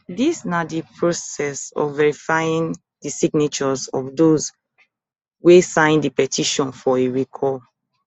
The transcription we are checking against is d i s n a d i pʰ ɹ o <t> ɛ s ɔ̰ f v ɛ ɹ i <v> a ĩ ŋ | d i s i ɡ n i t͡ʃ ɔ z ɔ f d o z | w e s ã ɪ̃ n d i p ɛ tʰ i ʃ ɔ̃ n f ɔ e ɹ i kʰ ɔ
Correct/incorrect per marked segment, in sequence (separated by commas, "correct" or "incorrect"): incorrect, incorrect